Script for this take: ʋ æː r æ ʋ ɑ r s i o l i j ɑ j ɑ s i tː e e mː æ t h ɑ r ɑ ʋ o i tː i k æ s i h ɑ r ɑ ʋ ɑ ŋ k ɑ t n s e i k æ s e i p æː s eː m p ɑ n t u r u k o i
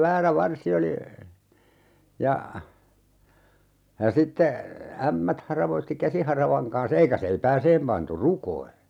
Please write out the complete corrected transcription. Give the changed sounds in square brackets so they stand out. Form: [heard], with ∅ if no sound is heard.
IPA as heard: ʋ æː r æ ʋ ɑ r s i o l i j ɑ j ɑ s i tː e [æ] mː æ t h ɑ r ɑ ʋ o i tː i k æ s i h ɑ r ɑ ʋ ɑ ŋ k ɑ [∅] n s e i k æ s e i p æː s eː m p ɑ n t u r u k o i

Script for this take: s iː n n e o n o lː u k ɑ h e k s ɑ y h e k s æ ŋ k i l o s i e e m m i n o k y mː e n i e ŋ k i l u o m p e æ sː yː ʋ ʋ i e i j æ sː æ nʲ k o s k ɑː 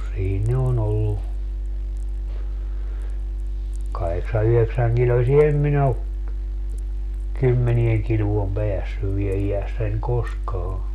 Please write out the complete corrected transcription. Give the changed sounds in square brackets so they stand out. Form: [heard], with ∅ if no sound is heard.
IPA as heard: s iː n n e o n o lː u k ɑ h e k s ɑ y h e k s æ ŋ k i l o s i e e m m i n o k y mː e n i e ŋ k i l u o m p e æ sː [y] ʋ ʋ i e i j æ sː æ nʲ k o s k ɑː

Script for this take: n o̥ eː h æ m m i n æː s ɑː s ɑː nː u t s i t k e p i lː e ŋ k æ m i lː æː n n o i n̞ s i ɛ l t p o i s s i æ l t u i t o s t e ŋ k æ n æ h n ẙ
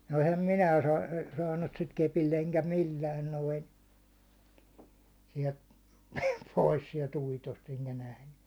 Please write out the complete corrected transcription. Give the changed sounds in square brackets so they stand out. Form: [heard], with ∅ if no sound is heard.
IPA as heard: n o̥ [e] h æ m m i n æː s ɑː s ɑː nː u t s i t k e p i lː e ŋ k æ m i lː æː n n o i n̞ s i ɛ l t p o i s s i [ɛ] l t u i t o s t e ŋ k æ n æ h n ẙ

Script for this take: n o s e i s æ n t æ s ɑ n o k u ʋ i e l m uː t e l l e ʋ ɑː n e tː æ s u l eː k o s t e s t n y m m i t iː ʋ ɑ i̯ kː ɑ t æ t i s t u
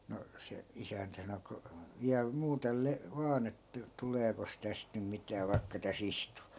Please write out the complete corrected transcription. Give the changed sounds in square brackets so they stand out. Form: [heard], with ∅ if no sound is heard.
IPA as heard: n o s e i s æ n t æ s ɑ n o k u ʋ i [æ] l m uː t e l l e ʋ ɑː n e tː æ [t] u l eː k o s t [æ] s t n y m m i t [æː] ʋ ɑ i̯ kː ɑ t æ [s] i s t u

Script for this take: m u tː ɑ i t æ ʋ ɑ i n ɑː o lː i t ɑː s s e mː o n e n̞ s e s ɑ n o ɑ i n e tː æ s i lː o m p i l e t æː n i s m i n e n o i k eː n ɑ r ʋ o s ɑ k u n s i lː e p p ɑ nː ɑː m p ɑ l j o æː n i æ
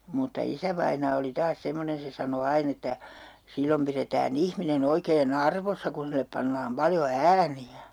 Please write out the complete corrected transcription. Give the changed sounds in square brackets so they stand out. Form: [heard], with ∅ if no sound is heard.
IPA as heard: m u tː ɑ i [s] æ ʋ ɑ i n ɑː o [l] i t ɑː s s e mː o n e n̞ s e s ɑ n o ɑ i n e tː æ s i lː o m p i [r] e t æː n i [h] m i n e n o i k eː n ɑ r ʋ o [sː] ɑ k u n s i lː e p p ɑ nː ɑː m p ɑ l j o æː n i æ

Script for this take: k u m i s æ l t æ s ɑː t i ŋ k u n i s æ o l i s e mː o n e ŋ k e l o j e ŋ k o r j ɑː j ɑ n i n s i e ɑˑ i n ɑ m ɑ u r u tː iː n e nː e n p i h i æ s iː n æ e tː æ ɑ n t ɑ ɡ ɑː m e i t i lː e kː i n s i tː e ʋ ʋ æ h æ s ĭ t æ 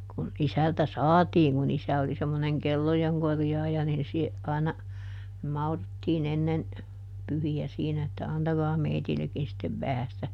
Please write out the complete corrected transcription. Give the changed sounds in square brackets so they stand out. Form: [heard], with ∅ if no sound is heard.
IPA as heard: k u [n] i s æ l t æ s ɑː t [iː] ŋ k u n i s æ o l i s e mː o n e ŋ k e [lː] o j e ŋ k o r j ɑː j ɑ n i n s i e ɑˑ i n ɑ m ɑ u r u tː iː n e nː e n p [y] h i æ s iː n æ e tː æ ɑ n t ɑ ɡ ɑː m e i t i lː e kː i n s i tː e ʋ ʋ æ h æ s ĭ t æ

